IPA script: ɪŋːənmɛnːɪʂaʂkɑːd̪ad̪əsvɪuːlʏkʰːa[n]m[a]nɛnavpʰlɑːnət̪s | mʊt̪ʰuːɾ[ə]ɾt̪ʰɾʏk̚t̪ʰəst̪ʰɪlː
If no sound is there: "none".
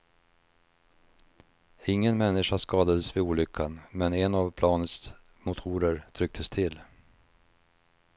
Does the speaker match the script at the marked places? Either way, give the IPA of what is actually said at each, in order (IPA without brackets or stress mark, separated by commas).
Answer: n, ɛ, ə